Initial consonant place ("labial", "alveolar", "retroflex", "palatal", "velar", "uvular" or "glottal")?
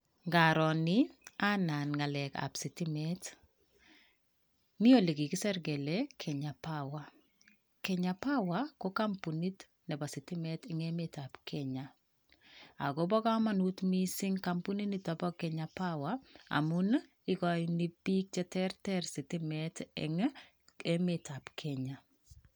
velar